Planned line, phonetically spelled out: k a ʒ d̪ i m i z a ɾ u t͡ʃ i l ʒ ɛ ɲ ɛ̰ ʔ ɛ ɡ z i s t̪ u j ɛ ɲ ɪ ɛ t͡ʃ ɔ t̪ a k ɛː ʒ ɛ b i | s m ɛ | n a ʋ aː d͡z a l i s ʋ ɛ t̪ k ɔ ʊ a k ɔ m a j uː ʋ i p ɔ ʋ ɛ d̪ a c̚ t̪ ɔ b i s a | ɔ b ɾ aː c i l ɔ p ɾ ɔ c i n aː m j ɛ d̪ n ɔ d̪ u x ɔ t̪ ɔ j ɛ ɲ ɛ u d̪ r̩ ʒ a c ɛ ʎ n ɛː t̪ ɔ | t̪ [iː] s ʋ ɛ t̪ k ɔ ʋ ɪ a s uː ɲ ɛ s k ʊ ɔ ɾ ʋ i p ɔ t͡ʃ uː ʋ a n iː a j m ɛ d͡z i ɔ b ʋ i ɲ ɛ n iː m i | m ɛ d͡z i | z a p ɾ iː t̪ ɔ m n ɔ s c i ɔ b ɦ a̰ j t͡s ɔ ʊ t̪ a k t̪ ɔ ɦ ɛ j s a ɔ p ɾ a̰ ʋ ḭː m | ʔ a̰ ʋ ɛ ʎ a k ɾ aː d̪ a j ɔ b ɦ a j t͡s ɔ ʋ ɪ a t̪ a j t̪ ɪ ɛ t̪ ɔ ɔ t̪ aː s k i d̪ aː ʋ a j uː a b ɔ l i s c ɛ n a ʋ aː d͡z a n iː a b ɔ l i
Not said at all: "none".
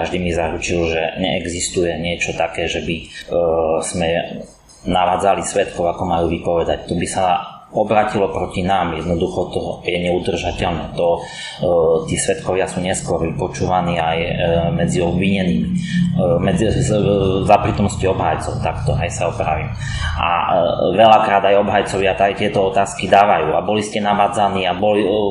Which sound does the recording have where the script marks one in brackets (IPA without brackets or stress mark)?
iː